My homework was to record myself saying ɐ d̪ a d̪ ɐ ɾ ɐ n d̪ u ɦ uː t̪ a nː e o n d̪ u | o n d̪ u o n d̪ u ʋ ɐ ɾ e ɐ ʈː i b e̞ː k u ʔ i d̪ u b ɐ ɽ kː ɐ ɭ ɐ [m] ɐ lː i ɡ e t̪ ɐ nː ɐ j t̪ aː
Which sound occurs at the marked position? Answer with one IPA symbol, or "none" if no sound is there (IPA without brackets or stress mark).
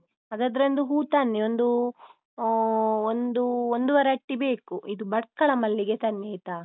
m